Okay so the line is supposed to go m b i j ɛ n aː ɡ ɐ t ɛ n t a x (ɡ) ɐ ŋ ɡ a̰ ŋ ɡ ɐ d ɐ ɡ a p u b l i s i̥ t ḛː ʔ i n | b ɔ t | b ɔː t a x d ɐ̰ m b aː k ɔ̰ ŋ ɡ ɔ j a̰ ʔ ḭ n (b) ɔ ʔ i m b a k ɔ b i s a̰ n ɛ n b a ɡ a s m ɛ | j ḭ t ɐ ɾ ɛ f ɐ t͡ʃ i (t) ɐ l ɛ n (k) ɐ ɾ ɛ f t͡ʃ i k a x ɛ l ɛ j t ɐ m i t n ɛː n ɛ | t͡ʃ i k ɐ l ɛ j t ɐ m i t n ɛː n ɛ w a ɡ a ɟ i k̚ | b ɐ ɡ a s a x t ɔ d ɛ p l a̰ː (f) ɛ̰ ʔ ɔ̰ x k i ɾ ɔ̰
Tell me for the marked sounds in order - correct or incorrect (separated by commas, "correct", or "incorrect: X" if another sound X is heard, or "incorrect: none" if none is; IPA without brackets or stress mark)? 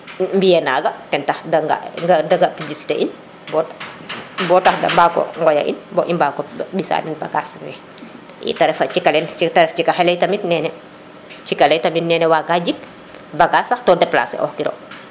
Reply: incorrect: d, correct, incorrect: k, incorrect: t, incorrect: s